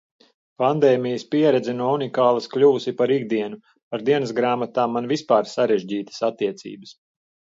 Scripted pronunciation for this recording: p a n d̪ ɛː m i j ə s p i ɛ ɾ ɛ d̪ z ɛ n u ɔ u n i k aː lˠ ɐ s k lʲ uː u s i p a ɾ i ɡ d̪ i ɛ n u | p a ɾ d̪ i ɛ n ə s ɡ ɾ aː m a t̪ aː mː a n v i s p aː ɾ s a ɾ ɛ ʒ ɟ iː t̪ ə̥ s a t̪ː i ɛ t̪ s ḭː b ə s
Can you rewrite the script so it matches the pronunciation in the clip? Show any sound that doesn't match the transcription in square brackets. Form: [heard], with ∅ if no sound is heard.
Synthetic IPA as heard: p a n d̪ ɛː m i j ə s p i ɛ ɾ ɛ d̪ z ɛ n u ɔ u n i k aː lˠ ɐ s k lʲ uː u s i p a ɾ i ɡ d̪ i ɛ n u | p a ɾ d̪ i ɛ n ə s ɡ ɾ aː m a t̪ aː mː a n v i s p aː ɾ s a ɾ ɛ ʒ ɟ iː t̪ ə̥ s a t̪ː i ɛ t̪ s ḭː b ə s